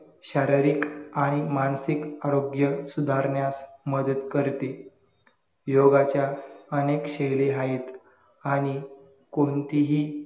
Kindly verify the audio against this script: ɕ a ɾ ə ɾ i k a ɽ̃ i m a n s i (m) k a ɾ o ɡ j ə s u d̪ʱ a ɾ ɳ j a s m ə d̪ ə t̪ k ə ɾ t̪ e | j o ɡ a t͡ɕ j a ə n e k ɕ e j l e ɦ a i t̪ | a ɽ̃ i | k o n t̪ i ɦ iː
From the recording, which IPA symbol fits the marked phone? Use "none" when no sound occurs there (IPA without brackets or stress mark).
none